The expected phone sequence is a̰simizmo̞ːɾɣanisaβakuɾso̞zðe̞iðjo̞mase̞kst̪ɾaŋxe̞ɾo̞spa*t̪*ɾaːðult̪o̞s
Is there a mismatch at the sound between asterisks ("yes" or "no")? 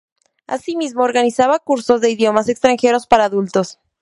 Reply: yes